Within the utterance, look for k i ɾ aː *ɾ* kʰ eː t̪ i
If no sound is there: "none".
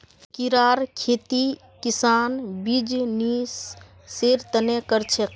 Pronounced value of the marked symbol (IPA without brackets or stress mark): ɾ